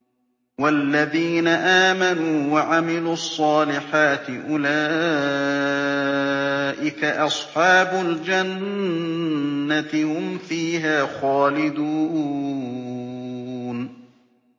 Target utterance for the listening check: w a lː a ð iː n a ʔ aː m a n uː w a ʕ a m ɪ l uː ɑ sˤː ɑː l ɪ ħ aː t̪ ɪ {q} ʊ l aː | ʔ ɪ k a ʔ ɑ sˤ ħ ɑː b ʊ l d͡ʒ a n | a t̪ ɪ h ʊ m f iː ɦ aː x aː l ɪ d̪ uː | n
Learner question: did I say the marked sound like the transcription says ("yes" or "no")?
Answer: no